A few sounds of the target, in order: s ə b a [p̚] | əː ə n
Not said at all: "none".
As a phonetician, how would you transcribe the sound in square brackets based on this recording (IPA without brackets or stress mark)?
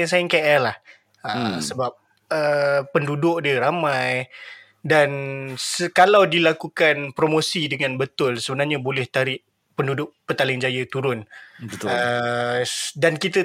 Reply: p̚